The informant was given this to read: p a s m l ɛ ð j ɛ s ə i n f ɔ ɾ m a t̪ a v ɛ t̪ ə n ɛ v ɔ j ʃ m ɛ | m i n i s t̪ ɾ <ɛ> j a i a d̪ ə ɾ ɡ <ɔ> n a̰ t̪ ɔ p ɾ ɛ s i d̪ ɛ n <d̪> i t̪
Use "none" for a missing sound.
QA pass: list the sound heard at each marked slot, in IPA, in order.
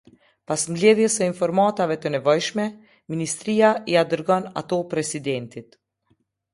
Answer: i, ɔ, t̪

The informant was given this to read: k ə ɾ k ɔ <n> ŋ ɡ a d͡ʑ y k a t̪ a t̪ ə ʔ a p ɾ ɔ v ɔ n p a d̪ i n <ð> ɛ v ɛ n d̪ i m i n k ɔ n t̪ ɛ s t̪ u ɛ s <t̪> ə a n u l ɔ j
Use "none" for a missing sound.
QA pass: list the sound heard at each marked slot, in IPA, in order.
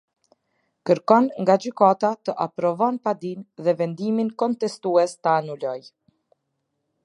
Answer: n, ð, t̪

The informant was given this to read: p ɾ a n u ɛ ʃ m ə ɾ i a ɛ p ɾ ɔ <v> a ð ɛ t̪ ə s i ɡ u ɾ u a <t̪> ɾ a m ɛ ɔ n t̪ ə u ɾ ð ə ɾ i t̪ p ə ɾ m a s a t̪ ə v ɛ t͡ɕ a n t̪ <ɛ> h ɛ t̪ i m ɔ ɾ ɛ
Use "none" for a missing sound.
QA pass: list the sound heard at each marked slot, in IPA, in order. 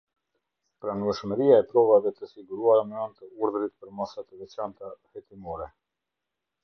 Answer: v, none, a

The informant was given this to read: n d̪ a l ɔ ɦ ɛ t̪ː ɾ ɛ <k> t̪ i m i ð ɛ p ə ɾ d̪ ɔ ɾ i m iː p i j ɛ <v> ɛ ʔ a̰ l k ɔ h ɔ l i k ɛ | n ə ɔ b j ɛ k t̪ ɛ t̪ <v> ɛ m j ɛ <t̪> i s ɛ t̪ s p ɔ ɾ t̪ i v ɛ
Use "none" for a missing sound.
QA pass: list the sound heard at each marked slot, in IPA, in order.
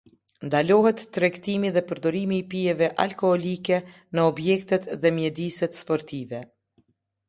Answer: k, v, ð, d̪

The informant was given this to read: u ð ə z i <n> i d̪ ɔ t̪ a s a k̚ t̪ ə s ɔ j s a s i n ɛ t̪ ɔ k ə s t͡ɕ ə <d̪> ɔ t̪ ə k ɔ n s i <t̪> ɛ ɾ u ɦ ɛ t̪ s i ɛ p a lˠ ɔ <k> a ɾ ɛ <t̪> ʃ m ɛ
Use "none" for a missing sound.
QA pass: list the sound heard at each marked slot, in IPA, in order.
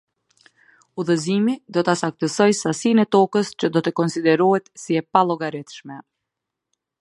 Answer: m, d̪, d̪, ɡ, t̪

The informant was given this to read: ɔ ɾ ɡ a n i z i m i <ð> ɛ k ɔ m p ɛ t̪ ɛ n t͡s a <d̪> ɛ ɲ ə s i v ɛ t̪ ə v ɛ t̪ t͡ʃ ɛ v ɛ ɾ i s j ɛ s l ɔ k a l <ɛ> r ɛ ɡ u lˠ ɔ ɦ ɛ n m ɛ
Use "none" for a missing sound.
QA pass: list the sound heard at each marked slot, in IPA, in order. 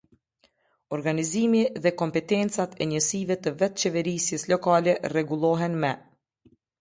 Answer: ð, t̪, ɛ

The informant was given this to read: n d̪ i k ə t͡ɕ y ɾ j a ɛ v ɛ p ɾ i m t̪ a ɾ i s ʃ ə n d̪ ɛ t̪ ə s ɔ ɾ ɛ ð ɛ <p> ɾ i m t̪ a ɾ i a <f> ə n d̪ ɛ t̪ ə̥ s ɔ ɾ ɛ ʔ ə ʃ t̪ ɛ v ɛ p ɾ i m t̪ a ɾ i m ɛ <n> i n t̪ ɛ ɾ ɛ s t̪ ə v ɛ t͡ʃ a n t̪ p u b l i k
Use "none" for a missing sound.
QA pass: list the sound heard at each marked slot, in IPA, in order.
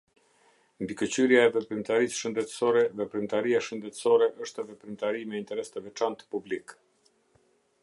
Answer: p, ʃ, none

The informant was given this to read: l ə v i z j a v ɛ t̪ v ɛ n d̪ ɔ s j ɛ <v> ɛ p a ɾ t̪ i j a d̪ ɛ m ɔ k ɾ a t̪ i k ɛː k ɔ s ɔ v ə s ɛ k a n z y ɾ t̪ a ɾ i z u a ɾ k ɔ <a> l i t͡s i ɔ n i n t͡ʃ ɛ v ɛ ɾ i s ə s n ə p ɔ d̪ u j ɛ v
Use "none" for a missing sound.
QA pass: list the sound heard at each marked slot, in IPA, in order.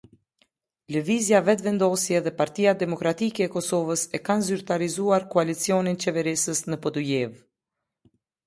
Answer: ð, a

